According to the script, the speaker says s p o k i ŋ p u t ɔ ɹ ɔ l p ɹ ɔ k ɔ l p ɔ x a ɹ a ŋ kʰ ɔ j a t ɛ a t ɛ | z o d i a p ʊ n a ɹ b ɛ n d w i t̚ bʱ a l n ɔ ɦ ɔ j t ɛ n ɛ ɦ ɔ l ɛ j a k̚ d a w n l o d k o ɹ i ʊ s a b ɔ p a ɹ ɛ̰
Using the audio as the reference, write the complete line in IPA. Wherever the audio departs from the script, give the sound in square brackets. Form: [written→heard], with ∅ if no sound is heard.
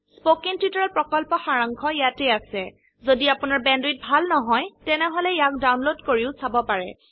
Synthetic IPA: s p o k i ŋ [p→t] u t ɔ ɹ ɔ l p ɹ ɔ k ɔ l p ɔ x a ɹ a ŋ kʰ ɔ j a t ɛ a [t→s] ɛ | z o d i a p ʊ n a ɹ b ɛ n d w i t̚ bʱ a l n ɔ ɦ ɔ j t ɛ n ɛ ɦ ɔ l ɛ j a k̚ d a w n l o d k o ɹ i ʊ s a b ɔ p a ɹ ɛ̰